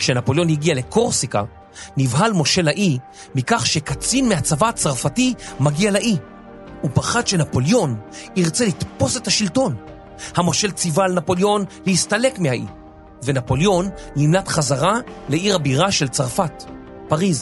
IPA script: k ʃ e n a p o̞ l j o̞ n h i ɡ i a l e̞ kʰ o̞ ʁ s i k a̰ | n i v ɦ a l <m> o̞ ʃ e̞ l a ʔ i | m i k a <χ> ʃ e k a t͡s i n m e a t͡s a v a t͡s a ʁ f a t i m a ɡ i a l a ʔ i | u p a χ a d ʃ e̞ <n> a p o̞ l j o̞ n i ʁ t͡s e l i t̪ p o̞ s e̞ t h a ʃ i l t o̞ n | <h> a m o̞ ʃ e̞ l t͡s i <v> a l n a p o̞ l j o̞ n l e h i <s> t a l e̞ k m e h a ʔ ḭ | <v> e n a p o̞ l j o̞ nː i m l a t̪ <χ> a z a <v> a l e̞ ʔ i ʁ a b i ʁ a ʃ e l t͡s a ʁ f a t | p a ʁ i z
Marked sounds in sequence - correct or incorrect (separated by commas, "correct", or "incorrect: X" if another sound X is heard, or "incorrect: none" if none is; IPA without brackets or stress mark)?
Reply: correct, correct, correct, correct, correct, correct, correct, correct, incorrect: ʁ